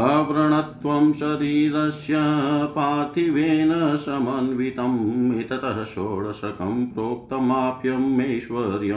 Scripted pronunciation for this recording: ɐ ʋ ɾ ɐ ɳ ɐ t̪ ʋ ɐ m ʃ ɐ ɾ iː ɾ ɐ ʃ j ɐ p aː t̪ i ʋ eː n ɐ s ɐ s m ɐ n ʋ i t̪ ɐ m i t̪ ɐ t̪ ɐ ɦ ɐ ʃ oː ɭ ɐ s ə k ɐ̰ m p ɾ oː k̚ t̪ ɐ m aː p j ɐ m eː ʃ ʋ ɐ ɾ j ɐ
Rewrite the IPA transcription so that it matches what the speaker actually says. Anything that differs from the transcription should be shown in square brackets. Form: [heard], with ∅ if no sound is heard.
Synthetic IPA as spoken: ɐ ʋ ɾ ɐ ɳ ɐ t̪ ʋ ɐ m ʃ ɐ ɾ iː ɾ ɐ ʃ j ɐ p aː t̪ i ʋ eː n ɐ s ɐ [∅] m ɐ n ʋ i t̪ ɐ m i t̪ ɐ t̪ ɐ ɦ ɐ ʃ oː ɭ ɐ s [ɐ] k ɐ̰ m p ɾ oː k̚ t̪ ɐ m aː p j ɐ m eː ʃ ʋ ɐ ɾ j ɐ